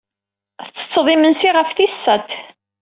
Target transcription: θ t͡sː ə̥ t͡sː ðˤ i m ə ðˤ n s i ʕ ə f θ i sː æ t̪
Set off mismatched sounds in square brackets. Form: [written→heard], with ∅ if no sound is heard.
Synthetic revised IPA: θ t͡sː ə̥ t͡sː ðˤ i m ə [ðˤ→∅] n s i [ʕ→ʁ] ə f θ i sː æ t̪